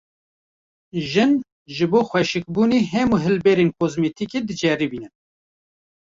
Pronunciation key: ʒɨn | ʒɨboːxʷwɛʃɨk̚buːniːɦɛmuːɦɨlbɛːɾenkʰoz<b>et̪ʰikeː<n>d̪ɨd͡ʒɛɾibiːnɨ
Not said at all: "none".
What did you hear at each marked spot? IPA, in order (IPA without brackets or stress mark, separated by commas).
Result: m, none